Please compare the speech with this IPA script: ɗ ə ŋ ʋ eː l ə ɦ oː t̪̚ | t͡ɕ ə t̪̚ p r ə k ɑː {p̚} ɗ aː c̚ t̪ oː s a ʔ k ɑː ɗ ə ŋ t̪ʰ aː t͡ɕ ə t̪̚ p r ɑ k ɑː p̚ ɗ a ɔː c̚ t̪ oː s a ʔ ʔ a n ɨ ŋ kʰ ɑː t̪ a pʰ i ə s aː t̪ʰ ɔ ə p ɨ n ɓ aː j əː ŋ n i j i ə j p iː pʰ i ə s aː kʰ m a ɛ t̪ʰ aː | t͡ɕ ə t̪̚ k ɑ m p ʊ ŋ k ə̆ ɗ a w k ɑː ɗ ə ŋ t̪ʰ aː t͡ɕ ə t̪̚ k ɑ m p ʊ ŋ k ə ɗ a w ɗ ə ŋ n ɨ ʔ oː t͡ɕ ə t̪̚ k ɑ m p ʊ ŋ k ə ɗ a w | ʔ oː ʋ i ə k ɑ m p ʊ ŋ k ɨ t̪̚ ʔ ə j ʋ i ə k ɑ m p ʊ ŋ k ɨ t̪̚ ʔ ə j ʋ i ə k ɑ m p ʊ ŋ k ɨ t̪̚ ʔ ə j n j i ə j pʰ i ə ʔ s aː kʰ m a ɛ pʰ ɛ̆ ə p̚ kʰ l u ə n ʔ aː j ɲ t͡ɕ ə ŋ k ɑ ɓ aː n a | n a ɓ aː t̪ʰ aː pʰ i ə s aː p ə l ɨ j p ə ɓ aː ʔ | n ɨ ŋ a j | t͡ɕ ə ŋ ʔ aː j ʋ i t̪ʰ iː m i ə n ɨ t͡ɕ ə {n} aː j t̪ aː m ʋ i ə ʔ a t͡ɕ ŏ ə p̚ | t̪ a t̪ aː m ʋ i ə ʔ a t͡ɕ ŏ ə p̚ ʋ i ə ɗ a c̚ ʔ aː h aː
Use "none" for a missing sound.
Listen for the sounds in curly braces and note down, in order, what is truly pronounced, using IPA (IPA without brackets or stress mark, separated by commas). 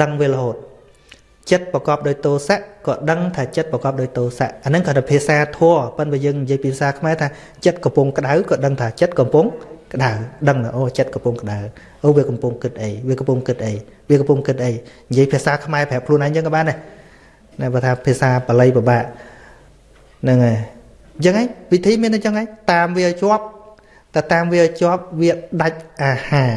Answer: p̚, ŋ